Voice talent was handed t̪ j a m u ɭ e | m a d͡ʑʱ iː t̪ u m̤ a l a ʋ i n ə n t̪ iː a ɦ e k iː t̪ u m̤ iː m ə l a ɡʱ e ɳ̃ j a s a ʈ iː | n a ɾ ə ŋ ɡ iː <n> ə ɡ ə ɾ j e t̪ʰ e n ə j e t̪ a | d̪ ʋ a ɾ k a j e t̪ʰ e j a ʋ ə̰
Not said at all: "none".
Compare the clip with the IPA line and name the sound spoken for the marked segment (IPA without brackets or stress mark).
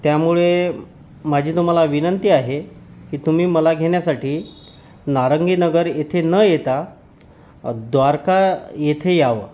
n